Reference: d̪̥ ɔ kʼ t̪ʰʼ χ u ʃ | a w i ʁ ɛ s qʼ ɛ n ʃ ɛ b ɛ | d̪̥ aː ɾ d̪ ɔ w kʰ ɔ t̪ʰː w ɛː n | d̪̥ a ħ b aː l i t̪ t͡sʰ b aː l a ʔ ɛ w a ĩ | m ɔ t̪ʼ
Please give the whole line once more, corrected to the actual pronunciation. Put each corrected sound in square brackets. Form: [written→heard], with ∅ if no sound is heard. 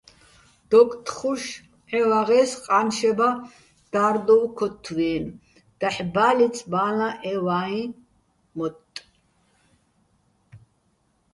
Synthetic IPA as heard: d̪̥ ɔ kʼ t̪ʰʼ χ u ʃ | [a→ɛ] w [i→a] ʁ ɛ s qʼ [ɛ→a] n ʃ ɛ b [ɛ→a] | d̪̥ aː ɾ d̪ ɔ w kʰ ɔ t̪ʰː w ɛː n | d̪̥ a ħ b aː l i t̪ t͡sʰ b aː l a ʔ ɛ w a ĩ | m ɔ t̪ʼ